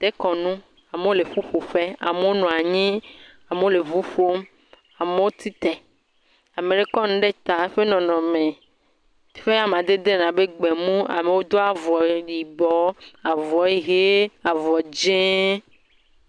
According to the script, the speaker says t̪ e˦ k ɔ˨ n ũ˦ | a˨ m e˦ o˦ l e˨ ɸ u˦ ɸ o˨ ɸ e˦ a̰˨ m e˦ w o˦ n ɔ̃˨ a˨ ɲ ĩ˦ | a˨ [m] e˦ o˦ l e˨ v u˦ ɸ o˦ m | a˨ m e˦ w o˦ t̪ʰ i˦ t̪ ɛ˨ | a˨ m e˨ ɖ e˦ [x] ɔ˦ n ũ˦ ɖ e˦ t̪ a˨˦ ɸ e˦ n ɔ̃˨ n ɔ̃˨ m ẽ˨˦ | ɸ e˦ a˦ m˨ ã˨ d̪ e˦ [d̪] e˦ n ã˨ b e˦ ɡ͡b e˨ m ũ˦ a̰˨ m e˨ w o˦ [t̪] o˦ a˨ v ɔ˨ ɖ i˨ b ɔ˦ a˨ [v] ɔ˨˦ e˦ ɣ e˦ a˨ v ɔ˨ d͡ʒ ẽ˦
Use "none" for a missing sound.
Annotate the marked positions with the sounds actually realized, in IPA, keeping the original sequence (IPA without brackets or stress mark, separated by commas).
m, k, d̪, d̪, v